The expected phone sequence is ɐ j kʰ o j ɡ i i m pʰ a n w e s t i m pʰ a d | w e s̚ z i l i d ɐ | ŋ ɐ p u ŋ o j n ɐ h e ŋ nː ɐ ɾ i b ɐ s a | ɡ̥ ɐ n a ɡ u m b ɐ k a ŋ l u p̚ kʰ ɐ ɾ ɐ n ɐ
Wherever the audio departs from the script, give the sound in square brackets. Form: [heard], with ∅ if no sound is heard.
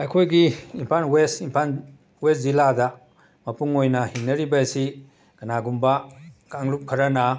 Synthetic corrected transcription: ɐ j kʰ o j ɡ i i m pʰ a n w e s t i m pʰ a [n] | w e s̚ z i l [a] d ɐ | [m] ɐ p u ŋ o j n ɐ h [i] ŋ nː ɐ ɾ i b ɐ s [i] | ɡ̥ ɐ n a ɡ u m b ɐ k a ŋ l u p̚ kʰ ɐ ɾ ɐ n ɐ